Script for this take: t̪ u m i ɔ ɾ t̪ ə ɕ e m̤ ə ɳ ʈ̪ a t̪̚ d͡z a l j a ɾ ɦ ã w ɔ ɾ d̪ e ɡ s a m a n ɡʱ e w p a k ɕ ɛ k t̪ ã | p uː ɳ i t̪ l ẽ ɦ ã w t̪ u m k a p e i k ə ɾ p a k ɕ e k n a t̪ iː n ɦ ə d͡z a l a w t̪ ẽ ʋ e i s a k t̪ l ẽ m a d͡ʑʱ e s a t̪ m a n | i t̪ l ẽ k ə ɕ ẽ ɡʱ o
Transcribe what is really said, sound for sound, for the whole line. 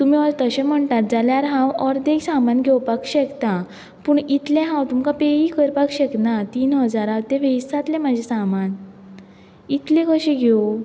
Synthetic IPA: t̪ u m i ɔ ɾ t̪ ə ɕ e m̤ ə ɳ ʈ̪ a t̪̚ d͡z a l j a ɾ ɦ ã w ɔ ɾ d̪ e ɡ s a m a n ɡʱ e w p a k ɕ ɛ k t̪ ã | p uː ɳ i t̪ l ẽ ɦ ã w t̪ u m k a p e i k ə ɾ p a k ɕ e k n a t̪ iː n ɦ ə d͡z a ɾ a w t̪ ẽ ʋ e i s a t̪ l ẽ m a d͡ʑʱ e s a m a n | i t̪ l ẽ k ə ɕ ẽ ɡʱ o